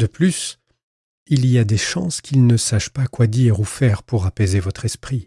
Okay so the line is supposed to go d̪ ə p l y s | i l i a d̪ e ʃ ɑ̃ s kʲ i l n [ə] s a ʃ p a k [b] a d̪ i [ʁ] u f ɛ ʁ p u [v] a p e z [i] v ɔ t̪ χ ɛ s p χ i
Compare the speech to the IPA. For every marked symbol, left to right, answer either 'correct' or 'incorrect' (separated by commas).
correct, incorrect, correct, incorrect, incorrect